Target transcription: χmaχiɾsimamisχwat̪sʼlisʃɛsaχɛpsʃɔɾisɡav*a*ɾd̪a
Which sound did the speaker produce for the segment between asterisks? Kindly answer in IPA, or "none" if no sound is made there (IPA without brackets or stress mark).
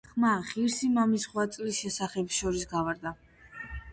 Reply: a